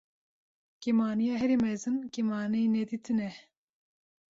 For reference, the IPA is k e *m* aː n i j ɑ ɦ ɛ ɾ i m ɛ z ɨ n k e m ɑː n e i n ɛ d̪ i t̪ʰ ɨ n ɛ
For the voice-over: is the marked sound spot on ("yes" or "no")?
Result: yes